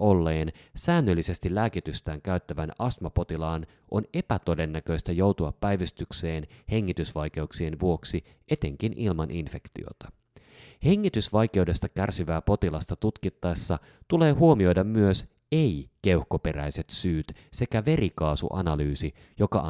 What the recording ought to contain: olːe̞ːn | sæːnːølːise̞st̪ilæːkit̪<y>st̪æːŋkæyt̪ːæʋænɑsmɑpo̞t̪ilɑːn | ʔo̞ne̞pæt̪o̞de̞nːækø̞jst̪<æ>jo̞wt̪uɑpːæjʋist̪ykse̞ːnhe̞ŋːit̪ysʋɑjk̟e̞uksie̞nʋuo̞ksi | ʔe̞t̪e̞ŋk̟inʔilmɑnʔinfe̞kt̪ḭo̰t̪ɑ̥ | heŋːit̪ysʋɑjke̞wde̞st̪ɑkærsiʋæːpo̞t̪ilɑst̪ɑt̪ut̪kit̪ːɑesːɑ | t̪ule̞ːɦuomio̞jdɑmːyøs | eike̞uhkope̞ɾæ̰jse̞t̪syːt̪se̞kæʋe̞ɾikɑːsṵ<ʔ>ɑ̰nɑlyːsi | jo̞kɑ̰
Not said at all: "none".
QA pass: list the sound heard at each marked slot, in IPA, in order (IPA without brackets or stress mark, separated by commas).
y, æ, ʔ